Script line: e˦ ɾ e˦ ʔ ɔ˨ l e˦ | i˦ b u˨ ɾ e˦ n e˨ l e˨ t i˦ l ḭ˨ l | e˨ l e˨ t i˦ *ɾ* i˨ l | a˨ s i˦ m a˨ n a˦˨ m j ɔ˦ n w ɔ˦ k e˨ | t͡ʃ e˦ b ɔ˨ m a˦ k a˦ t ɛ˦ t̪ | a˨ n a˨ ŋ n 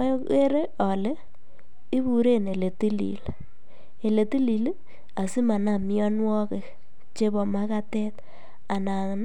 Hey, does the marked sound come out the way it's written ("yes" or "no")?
no